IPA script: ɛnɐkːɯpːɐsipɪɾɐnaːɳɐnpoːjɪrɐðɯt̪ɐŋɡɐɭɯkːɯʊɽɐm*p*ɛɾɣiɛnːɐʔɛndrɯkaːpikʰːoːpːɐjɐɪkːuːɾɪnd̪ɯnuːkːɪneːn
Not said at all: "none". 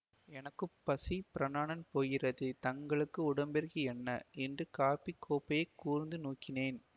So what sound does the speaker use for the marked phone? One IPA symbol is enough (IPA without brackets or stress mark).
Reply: b